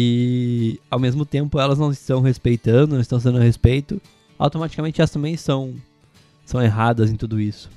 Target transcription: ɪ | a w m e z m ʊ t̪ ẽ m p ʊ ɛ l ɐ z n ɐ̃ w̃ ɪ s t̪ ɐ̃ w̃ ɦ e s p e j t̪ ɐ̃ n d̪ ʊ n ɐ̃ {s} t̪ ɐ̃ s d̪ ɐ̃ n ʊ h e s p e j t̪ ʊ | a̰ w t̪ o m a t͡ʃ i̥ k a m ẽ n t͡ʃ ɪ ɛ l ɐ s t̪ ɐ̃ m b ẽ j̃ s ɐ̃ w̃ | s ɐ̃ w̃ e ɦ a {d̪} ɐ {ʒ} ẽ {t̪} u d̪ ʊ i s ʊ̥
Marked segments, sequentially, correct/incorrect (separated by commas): correct, correct, incorrect, correct